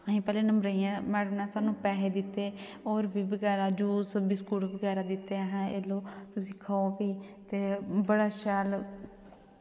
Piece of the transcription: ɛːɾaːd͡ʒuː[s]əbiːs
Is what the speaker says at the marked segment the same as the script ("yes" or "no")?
yes